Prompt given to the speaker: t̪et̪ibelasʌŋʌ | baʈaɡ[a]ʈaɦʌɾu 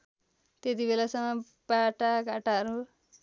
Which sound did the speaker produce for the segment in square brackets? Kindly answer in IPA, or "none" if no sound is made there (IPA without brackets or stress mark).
a